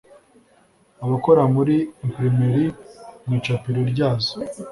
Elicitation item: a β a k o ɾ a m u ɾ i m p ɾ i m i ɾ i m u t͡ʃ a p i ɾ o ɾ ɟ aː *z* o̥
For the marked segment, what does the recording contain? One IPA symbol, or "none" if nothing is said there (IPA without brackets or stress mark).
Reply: z